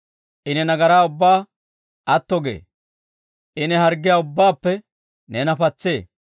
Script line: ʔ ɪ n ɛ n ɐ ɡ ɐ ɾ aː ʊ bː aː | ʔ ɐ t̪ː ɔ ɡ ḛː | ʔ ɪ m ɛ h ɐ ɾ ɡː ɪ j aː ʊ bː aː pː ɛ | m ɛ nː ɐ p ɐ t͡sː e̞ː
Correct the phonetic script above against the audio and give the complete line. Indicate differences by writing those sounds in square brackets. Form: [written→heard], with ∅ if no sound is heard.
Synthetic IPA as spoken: ʔ ɪ n ɛ n ɐ ɡ ɐ ɾ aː ʊ bː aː | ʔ ɐ t̪ː ɔ ɡ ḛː | ʔ ɪ [m→n] ɛ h ɐ ɾ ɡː ɪ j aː ʊ bː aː pː ɛ | [m→n] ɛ [nː→n] ɐ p ɐ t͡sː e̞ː